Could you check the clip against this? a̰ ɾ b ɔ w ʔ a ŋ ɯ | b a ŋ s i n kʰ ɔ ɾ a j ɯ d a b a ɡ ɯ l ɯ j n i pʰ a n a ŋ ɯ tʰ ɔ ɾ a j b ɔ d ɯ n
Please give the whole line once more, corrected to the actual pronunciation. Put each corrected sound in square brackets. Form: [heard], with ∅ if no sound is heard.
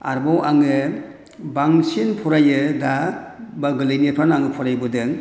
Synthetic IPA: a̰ ɾ b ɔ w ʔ a ŋ ɯ | b a ŋ s i n [pʰ] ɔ ɾ a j ɯ d a b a ɡ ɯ l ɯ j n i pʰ a n a ŋ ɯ [pʰ] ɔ ɾ a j b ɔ d ɯ [ŋ]